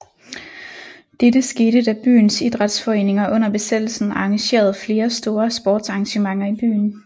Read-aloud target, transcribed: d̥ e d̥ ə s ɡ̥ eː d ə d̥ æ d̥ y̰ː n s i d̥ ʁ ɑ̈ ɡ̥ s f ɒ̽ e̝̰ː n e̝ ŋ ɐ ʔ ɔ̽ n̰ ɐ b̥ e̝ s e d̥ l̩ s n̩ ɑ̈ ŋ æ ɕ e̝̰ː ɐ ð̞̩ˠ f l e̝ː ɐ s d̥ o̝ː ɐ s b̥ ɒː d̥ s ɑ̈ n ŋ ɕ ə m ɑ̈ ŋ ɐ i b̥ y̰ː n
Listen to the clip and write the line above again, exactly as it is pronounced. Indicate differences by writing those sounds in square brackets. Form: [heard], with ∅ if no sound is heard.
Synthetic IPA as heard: d̥ e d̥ ə s ɡ̥ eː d ə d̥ æ [b̥] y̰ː n s i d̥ ʁ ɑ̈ [d̥] s f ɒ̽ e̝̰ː n e̝ ŋ ɐ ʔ ɔ̽ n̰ ɐ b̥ e̝ s e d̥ l̩ s n̩ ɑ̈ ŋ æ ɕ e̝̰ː ɐ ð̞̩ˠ f l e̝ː ɐ s d̥ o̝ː ɐ s b̥ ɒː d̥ s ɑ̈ [∅] ŋ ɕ ə m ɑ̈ ŋ ɐ i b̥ y̰ː n

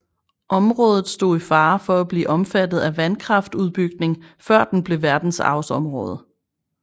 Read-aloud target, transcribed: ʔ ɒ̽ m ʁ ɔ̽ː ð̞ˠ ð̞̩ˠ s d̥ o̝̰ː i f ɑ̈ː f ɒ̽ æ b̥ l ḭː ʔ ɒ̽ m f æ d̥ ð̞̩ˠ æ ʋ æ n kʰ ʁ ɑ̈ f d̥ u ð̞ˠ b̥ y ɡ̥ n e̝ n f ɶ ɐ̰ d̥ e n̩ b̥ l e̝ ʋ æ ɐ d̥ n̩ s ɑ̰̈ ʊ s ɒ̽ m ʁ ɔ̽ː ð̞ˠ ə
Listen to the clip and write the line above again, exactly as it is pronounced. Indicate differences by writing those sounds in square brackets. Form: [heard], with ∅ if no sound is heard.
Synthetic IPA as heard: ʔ ɒ̽ m ʁ ɔ̽ː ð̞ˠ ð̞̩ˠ s d̥ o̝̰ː i f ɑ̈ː f ɒ̽ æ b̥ l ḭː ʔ ɒ̽ m f æ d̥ ð̞̩ˠ æ ʋ æ n kʰ ʁ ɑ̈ f d̥ u ð̞ˠ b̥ y ɡ̥ n e̝ [ŋ] f ɶ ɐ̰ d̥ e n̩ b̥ l e̝ ʋ æ ɐ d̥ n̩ s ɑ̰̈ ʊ s ɒ̽ m ʁ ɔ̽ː ð̞ˠ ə

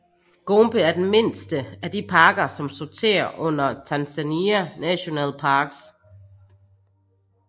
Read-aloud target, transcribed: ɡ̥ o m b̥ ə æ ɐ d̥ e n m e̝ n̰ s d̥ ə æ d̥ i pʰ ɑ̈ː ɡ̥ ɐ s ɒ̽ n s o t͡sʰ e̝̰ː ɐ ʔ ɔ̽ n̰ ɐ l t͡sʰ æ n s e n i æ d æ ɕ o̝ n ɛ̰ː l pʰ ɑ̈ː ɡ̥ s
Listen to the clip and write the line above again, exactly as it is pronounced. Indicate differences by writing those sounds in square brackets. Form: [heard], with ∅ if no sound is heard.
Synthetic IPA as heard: ɡ̥ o m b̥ ə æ ɐ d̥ e n m e̝ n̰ s d̥ ə æ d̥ i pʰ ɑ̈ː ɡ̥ ɐ s ɒ̽ [m] s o t͡sʰ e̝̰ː ɐ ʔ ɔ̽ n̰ ɐ [∅] t͡sʰ æ n s [æ] n i æ [n] æ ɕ o̝ n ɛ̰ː l pʰ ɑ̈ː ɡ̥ s

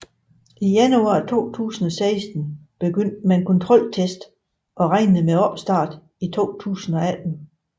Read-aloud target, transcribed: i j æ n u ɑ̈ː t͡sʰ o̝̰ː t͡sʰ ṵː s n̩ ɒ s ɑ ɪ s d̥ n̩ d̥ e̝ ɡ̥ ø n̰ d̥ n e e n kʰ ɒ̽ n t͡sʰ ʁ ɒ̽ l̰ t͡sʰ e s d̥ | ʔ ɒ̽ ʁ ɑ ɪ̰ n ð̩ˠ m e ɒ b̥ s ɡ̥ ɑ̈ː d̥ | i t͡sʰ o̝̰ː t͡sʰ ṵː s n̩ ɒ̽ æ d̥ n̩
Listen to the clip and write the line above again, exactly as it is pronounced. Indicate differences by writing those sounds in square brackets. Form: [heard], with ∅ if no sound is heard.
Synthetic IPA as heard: i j æ n u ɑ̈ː t͡sʰ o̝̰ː t͡sʰ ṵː s n̩ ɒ s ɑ ɪ s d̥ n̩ [b̥] e̝ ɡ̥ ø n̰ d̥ [m] e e n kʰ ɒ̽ n t͡sʰ ʁ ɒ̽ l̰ t͡sʰ e s d̥ | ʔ ɒ̽ ʁ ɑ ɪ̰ n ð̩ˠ m e ɒ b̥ s [d̥] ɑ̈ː d̥ | i t͡sʰ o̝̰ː t͡sʰ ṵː s n̩ ɒ̽ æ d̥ n̩

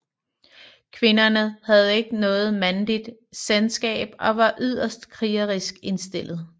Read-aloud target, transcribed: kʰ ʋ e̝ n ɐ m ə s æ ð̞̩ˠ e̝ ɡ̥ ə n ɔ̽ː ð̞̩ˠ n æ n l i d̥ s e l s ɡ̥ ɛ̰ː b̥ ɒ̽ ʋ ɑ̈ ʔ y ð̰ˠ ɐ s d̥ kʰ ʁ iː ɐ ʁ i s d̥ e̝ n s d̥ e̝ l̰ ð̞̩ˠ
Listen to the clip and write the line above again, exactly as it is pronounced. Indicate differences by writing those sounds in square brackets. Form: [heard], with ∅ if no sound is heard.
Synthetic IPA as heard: kʰ ʋ e̝ n ɐ [n] ə [h] æ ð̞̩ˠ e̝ ɡ̥ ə n ɔ̽ː ð̞̩ˠ [m] æ n l i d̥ s e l s ɡ̥ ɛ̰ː b̥ ɒ̽ ʋ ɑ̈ ʔ y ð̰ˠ ɐ s d̥ kʰ ʁ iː ɐ ʁ i s [ɡ̥] e̝ n s d̥ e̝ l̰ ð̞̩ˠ

